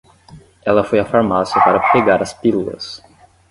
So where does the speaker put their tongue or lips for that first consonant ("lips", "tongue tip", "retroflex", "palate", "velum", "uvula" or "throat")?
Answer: tongue tip